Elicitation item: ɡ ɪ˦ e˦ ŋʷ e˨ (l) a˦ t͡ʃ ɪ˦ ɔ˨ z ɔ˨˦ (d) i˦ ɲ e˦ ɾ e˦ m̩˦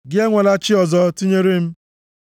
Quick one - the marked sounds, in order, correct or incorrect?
correct, incorrect: t

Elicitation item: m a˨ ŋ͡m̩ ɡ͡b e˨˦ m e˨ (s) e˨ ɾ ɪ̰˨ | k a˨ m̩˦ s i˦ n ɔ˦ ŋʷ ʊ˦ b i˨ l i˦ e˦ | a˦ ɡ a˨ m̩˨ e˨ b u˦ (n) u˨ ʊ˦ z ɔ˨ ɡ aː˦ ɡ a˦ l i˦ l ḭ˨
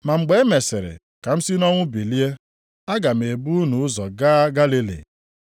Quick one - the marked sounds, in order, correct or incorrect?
correct, correct

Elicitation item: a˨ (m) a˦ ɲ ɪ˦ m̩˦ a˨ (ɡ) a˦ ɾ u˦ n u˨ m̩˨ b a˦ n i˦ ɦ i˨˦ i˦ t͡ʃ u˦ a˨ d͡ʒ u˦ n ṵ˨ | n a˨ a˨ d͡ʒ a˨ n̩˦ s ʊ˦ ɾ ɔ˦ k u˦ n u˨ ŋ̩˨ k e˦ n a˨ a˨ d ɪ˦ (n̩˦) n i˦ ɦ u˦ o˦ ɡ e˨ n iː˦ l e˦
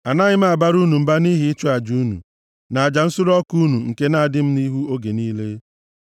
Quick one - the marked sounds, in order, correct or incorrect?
incorrect: n, incorrect: b, incorrect: m̩˦

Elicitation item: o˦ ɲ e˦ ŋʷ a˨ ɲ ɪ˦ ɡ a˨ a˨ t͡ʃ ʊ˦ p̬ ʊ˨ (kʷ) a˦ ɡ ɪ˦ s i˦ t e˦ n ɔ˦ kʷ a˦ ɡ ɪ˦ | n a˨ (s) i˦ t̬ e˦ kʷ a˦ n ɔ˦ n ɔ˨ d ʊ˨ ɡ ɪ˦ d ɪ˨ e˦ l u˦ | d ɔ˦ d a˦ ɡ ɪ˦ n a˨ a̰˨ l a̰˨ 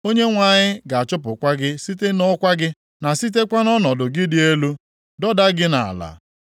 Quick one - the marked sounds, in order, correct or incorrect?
correct, correct

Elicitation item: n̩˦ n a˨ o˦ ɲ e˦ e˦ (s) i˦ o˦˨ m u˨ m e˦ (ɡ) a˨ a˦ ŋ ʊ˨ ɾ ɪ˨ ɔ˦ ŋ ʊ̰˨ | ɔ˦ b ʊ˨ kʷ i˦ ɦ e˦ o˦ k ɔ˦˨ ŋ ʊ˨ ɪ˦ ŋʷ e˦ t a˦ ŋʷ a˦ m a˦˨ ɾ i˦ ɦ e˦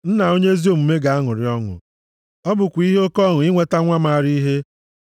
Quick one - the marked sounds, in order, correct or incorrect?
incorrect: z, correct

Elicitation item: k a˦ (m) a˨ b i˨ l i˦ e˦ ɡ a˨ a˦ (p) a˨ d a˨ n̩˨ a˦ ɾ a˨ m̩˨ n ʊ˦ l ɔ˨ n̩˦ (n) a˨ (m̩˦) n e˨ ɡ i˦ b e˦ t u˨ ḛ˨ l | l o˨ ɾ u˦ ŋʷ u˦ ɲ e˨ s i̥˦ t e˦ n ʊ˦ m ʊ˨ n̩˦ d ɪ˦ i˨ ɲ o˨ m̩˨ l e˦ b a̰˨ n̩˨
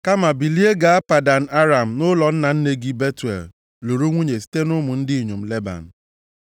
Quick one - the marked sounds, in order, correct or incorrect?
correct, correct, correct, incorrect: n̩˦

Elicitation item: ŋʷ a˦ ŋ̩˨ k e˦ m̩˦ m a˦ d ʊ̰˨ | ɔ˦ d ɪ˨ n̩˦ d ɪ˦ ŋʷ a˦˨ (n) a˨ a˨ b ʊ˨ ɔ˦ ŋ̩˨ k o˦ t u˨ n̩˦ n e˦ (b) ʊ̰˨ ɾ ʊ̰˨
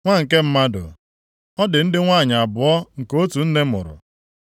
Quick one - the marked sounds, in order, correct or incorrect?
incorrect: ɲ, incorrect: m

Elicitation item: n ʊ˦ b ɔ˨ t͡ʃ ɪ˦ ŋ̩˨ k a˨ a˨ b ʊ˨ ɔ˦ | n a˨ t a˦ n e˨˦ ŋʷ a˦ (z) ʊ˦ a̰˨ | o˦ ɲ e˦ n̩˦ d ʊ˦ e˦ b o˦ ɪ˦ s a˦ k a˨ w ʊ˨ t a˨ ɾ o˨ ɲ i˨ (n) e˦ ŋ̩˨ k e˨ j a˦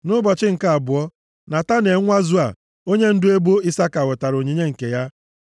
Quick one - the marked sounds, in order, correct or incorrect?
correct, incorrect: ɲ

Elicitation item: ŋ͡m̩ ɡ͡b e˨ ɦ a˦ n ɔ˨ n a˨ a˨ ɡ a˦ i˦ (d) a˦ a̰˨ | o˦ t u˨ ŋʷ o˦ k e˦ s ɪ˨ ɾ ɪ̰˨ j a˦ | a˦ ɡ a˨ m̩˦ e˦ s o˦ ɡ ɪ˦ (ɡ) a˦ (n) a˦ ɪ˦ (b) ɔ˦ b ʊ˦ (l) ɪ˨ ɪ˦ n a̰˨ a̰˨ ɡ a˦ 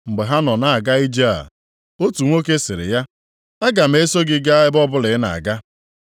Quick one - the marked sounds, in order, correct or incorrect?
incorrect: d͡ʒ, correct, incorrect: none, correct, correct

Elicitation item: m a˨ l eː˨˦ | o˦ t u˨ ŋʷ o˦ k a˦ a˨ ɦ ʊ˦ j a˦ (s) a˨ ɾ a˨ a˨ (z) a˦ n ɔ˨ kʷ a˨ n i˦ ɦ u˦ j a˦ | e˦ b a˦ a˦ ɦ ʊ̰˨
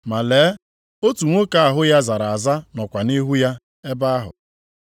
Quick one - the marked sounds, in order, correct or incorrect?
incorrect: z, correct

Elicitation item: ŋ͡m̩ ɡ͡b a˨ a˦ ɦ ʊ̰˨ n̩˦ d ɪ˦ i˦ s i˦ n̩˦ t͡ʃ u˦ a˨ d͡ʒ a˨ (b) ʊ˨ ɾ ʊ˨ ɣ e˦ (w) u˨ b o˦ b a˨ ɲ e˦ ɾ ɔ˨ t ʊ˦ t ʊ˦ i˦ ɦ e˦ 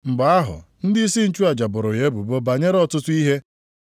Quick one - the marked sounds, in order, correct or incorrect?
correct, incorrect: b

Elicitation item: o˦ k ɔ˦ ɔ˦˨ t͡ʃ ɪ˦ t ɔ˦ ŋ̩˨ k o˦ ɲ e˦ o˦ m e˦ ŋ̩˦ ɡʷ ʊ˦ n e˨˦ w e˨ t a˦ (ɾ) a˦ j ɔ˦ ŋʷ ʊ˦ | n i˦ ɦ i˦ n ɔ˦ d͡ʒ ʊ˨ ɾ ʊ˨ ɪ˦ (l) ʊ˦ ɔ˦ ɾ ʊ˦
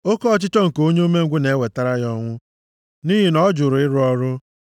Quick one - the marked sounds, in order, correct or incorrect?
correct, incorrect: ɾ

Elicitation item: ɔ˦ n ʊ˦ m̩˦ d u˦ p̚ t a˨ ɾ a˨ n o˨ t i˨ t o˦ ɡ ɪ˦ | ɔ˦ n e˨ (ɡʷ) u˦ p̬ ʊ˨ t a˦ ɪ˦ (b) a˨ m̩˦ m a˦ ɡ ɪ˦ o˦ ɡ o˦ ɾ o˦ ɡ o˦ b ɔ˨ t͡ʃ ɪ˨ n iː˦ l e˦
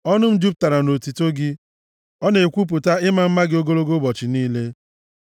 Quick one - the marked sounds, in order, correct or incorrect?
incorrect: kʷ, incorrect: m

